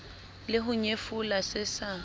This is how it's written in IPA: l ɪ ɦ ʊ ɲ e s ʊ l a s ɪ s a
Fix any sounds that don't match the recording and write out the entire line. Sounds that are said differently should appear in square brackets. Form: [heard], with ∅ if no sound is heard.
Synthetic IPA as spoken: l ɪ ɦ ʊ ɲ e [f] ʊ l a s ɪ s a